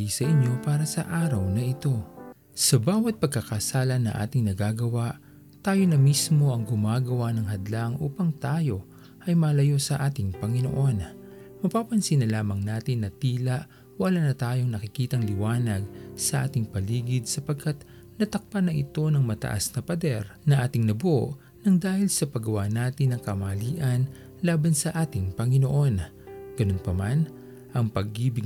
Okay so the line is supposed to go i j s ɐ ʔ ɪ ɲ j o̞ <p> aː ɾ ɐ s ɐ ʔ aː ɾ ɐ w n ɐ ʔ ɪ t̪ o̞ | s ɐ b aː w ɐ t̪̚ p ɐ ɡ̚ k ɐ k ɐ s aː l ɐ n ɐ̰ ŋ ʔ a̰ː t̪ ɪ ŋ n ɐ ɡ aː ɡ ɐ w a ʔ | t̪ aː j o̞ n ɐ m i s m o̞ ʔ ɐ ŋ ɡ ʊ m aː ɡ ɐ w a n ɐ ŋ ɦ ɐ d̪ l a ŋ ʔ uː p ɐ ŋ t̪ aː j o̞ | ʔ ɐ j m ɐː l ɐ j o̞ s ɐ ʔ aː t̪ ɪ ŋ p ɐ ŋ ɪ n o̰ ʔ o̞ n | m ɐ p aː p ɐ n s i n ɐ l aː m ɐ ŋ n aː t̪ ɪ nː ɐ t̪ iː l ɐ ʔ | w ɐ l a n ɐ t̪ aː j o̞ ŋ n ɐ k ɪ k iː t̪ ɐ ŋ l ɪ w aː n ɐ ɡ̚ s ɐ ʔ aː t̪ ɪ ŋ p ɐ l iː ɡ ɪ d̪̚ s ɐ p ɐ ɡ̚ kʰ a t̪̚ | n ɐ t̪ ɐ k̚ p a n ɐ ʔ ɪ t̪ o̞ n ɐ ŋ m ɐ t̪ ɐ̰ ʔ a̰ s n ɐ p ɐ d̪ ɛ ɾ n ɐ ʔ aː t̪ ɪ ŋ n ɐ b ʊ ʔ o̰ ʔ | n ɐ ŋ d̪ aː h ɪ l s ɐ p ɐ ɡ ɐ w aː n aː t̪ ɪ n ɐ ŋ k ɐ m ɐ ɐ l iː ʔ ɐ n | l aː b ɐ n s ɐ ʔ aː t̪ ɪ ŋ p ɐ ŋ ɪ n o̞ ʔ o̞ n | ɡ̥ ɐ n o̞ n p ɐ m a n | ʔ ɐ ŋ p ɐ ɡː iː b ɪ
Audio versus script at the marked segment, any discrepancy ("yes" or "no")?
no